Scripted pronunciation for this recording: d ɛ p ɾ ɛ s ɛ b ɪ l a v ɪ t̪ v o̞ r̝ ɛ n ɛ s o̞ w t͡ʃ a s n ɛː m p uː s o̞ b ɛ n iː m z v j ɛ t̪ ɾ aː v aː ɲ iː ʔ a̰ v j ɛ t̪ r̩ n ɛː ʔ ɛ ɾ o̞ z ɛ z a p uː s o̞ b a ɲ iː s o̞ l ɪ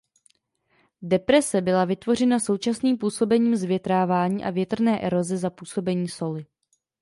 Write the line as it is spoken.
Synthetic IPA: d ɛ p ɾ ɛ s ɛ b ɪ l a v ɪ t̪ v o̞ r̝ ɛ n a s o̞ w t͡ʃ a s n iː m p uː s o̞ b ɛ ɲ iː m z v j ɛ t̪ ɾ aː v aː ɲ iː ʔ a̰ v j ɛ t̪ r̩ n ɛː ʔ ɛ ɾ o̞ z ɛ z a p uː s o̞ b ɛ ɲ iː s o̞ l ɪ